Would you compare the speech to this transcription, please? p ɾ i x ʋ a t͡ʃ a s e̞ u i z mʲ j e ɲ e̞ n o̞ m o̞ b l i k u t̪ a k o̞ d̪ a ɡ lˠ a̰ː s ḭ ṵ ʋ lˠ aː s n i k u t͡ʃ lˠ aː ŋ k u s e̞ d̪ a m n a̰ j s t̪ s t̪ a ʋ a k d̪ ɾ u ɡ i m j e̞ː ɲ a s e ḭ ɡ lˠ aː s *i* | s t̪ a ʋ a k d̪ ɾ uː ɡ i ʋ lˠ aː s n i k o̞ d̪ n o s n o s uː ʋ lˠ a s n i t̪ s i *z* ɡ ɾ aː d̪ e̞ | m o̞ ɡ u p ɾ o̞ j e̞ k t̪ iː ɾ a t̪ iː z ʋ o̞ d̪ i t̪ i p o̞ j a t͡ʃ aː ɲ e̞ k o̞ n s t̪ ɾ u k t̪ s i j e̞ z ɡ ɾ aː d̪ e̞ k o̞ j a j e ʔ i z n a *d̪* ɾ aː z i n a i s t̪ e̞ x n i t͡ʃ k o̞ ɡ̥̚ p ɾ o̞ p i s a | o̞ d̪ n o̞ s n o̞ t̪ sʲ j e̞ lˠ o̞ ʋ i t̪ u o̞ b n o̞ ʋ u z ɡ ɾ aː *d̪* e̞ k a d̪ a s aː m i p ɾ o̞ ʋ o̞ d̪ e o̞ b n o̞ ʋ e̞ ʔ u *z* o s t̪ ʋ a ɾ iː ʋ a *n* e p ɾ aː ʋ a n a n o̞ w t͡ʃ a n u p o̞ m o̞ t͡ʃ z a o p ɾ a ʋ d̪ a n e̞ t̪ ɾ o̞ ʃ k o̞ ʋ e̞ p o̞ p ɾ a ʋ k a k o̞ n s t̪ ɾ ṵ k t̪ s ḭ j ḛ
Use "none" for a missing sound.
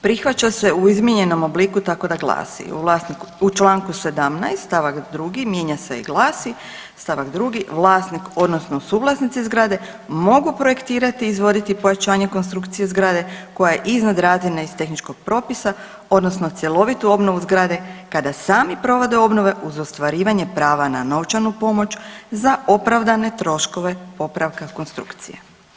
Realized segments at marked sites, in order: i, z, d̪, d̪, z, ɲ

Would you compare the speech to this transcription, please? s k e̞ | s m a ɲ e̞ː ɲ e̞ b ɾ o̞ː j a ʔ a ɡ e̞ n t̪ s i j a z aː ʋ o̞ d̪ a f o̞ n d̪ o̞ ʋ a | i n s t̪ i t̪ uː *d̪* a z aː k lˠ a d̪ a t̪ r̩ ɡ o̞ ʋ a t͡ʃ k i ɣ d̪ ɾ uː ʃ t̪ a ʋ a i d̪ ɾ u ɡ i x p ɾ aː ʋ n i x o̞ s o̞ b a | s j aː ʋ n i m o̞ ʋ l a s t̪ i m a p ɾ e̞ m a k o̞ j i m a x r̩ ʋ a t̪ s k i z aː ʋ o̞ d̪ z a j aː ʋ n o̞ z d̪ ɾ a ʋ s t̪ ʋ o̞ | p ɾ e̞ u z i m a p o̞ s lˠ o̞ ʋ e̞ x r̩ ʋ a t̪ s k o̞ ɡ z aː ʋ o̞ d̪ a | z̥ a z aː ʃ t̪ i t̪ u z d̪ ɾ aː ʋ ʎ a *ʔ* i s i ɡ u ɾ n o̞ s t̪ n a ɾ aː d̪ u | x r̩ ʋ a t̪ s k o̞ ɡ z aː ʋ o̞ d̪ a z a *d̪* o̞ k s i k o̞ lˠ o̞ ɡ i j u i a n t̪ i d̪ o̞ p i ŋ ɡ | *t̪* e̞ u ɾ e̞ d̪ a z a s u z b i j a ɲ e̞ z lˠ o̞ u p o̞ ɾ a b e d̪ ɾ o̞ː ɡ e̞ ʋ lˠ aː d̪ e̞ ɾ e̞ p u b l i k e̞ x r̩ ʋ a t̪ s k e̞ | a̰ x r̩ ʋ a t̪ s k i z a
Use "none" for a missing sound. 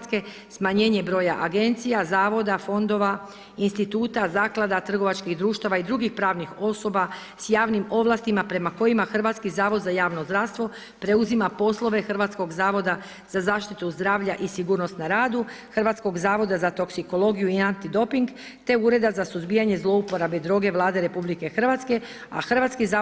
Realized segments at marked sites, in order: t̪, ʔ, t̪, t̪

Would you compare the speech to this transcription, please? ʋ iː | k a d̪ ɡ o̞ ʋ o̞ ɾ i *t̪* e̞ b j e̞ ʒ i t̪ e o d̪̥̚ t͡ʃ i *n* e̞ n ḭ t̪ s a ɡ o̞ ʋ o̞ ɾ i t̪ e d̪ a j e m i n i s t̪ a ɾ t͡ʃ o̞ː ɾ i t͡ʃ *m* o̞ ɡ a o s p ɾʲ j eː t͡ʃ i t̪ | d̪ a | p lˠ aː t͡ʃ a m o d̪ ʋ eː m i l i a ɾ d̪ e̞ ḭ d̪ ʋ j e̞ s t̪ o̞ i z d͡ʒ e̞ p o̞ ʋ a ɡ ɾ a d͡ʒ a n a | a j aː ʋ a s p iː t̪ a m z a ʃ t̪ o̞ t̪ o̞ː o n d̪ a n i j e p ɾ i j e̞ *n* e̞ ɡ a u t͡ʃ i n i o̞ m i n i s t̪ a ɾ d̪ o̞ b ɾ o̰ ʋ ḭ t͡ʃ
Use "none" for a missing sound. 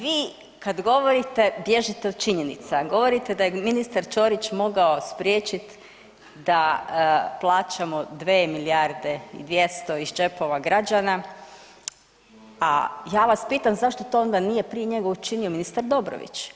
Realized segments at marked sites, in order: t̪, ɲ, m, ɲ

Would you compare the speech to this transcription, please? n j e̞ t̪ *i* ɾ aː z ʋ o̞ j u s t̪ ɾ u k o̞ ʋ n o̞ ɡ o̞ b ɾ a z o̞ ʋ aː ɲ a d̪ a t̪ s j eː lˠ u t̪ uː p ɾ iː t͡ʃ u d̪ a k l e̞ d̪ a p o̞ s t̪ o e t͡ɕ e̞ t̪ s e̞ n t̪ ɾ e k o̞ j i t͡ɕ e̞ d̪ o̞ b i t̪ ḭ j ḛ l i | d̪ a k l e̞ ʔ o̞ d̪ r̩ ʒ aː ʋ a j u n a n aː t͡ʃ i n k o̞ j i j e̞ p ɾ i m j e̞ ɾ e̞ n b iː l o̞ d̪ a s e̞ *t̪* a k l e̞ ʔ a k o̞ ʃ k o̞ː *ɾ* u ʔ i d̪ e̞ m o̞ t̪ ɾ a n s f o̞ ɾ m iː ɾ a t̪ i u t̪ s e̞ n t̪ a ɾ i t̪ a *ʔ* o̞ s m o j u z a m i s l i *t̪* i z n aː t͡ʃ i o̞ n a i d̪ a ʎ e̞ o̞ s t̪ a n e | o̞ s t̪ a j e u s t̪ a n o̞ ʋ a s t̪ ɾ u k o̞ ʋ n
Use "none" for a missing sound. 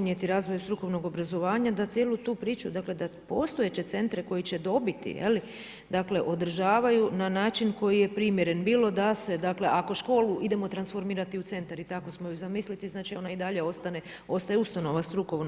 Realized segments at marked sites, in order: i, d̪, l, k, t̪

